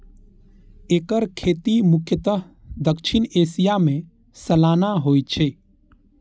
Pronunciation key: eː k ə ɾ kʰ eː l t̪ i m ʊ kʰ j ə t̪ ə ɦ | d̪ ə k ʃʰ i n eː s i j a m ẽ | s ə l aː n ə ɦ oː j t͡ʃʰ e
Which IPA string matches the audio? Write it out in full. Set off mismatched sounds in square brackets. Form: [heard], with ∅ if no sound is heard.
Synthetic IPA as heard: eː k ə ɾ kʰ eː [∅] t̪ i m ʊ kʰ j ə t̪ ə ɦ | d̪ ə k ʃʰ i n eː s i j a m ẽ | s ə l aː n [a] ɦ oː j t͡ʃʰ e